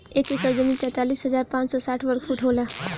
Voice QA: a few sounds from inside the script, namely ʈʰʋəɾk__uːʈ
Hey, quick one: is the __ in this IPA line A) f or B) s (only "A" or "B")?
A